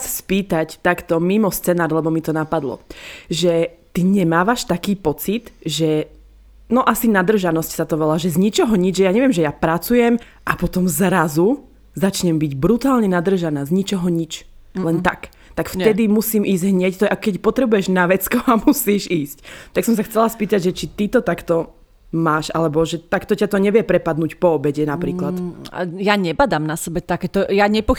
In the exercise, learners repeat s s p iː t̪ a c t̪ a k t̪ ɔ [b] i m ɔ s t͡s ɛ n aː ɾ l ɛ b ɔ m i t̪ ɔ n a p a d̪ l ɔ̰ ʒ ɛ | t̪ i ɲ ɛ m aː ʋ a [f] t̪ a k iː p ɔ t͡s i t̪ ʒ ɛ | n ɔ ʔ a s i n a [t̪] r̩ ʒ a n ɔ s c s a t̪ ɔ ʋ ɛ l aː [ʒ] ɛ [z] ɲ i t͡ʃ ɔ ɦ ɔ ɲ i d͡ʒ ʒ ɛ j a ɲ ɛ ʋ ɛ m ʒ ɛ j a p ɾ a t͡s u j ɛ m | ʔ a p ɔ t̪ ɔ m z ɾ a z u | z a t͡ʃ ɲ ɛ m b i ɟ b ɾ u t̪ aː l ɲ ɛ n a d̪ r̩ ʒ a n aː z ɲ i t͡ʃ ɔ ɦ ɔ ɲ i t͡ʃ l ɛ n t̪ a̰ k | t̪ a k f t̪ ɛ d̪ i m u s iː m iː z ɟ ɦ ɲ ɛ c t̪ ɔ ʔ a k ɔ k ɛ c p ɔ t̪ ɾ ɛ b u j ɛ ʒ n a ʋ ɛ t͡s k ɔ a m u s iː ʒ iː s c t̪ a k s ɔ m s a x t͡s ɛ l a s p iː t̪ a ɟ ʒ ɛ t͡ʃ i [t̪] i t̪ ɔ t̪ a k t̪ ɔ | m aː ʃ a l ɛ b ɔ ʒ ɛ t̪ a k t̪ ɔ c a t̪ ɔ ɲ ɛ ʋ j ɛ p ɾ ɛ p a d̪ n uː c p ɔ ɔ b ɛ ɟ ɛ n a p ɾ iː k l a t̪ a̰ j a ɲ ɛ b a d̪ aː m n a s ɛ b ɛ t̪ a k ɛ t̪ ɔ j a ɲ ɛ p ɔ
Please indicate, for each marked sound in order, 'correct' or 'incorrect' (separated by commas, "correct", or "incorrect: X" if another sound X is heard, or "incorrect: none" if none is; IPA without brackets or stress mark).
incorrect: m, incorrect: ʃ, incorrect: d̪, correct, correct, correct